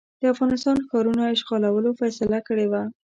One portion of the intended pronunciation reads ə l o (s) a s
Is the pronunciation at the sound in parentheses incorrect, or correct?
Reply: incorrect